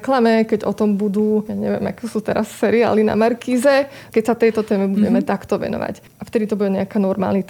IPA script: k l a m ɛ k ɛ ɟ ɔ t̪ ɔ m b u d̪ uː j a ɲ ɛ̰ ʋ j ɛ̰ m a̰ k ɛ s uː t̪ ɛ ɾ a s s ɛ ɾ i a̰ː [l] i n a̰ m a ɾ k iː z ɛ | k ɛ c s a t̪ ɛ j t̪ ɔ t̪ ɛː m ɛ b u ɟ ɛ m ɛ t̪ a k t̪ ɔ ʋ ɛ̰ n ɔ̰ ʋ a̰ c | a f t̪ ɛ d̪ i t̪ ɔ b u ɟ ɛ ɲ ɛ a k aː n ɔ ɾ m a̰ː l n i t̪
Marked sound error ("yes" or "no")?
no